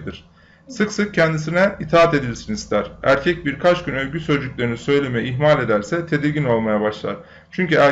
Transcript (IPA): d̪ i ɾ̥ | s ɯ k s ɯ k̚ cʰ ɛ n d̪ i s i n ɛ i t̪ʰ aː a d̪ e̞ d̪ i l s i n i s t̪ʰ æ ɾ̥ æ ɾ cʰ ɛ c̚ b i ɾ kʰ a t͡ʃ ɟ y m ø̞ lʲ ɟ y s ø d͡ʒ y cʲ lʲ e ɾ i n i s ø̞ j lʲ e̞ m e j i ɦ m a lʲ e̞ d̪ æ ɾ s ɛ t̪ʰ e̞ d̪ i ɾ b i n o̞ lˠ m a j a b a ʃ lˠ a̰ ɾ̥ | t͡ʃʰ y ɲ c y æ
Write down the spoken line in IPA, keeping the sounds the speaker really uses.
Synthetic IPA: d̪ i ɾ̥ | s ɯ k s ɯ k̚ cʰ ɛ n d̪ i s i n ɛ i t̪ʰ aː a t̪ e̞ d̪ i l s i n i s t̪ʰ æ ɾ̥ æ ɾ cʰ ɛ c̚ b i ɾ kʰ a t͡ʃ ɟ y n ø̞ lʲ ɟ y s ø d͡ʒ y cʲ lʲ e ɾ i n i s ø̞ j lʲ e̞ m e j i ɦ m a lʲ e̞ d̪ æ ɾ s ɛ t̪ʰ e̞ d̪ i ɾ ɟ i n o̞ lˠ m a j a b a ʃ lˠ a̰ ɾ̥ | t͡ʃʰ y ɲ c y æ